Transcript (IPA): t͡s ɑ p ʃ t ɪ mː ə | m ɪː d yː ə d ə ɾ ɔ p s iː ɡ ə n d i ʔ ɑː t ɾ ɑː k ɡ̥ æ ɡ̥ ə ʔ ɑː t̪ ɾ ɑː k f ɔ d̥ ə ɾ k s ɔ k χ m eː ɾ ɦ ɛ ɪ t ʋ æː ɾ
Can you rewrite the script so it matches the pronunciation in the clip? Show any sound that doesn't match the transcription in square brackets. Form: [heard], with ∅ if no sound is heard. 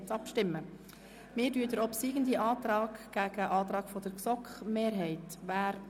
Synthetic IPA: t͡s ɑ p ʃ t ɪ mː ə | m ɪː d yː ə d ə ɾ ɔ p s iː ɡ ə n d i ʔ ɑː t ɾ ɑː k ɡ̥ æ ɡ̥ ə ʔ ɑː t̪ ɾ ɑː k f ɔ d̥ ə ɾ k s ɔ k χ m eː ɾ ɦ ɛ ɪ t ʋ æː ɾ